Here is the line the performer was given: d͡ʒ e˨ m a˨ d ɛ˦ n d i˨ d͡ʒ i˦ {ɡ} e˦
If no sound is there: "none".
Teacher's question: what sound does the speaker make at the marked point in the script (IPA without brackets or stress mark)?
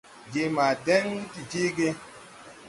ɡ